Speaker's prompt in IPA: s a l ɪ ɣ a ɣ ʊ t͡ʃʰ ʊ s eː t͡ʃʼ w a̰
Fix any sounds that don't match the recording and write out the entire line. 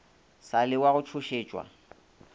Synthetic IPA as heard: s a l ɪ w a ɣ ʊ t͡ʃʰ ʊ ʃ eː t͡ʃʼ w a̰